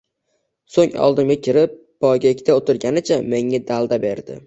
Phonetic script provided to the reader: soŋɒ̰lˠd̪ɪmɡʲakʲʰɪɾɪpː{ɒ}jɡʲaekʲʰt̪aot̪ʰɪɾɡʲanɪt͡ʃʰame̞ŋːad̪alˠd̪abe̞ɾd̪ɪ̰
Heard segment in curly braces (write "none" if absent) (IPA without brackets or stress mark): ɒ